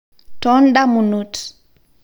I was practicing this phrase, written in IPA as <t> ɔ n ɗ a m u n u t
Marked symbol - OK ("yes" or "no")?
yes